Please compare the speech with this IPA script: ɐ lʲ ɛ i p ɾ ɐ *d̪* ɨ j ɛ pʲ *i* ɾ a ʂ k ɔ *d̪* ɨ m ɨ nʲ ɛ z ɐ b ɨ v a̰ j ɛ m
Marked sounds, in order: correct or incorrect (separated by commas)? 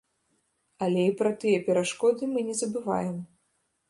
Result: incorrect, incorrect, correct